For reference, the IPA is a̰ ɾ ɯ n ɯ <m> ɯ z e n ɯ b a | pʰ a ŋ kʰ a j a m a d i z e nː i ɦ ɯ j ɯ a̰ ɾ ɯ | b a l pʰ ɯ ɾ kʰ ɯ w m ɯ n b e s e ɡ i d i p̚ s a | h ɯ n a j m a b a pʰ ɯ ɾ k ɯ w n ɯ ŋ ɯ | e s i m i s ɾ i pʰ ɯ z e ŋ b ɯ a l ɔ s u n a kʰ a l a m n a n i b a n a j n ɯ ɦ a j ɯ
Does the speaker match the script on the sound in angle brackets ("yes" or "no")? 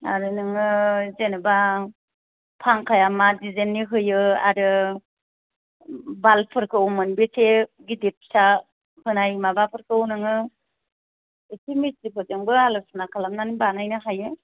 no